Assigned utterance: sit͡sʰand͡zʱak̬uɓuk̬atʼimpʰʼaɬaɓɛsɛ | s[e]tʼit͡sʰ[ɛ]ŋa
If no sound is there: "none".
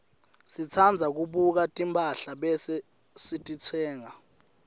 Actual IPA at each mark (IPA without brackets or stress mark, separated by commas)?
i, ɛː